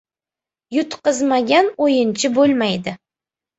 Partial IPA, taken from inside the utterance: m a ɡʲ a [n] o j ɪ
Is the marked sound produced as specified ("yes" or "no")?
yes